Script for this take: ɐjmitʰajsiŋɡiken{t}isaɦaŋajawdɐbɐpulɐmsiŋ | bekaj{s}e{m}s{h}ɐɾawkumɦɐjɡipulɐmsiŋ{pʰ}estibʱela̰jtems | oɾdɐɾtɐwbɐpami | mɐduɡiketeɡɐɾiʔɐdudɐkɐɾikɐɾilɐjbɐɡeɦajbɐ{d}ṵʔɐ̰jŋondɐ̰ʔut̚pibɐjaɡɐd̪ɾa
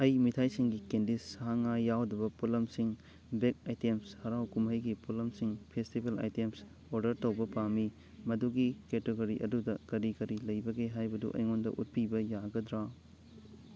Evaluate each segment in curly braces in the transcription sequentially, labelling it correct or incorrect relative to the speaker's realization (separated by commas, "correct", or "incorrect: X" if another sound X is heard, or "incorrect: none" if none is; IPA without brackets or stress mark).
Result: incorrect: d, incorrect: t, correct, correct, correct, correct